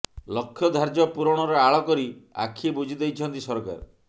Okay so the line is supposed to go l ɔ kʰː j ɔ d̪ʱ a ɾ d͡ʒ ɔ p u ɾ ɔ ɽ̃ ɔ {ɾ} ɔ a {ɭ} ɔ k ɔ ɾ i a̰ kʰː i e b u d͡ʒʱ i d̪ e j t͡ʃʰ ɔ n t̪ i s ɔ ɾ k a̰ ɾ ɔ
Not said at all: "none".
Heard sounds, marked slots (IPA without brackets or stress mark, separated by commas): ɾ, ɭ